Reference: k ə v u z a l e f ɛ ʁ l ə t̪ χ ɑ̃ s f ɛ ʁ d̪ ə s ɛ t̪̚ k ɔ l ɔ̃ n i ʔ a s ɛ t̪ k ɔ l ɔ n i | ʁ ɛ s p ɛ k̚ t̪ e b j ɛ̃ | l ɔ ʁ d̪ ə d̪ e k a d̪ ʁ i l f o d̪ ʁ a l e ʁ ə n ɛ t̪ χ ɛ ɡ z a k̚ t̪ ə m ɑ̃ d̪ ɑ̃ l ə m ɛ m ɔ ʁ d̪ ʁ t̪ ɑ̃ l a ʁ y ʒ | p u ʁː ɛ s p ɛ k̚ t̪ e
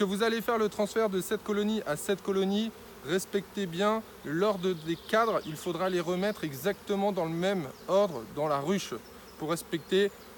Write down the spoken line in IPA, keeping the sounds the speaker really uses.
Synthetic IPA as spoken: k ə v u z a l e f ɛ ʁ l ə t̪ χ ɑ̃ s f ɛ ʁ d̪ ə s ɛ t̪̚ k ɔ l ɔ n i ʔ a s ɛ t̪ k ɔ l ɔ n i | ʁ ɛ s p ɛ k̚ t̪ e b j ɛ̃ | l ɔ ʁ d̪ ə d̪ e k a d̪ ʁ i l f o d̪ ʁ a l e ʁ ə m ɛ t̪ χ ɛ ɡ z a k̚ t̪ ə m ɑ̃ d̪ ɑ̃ l ə m ɛ m ɔ ʁ d̪ ʁ d̪ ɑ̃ l a ʁ y ʃ | p u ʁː ɛ s p ɛ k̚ t̪ e